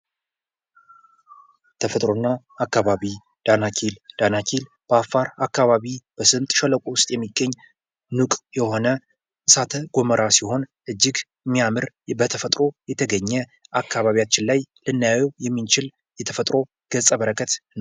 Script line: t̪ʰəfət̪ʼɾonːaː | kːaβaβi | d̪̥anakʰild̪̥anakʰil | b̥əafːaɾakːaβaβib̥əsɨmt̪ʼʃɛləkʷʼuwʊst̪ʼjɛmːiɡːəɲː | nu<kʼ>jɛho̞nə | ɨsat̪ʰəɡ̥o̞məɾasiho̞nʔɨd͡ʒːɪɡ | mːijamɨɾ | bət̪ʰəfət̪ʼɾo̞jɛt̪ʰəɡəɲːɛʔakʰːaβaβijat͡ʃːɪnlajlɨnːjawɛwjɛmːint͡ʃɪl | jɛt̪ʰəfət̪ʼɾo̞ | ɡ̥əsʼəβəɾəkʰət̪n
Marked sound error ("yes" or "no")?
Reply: no